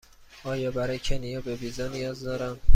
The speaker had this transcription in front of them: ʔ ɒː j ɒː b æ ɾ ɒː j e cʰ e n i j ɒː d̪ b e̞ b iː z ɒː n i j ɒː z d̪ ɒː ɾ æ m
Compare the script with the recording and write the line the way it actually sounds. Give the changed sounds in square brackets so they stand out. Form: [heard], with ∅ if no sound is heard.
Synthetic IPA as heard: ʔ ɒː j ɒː b æ ɾ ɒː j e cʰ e n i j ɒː [∅] b e̞ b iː z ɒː n i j ɒː z d̪ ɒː ɾ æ m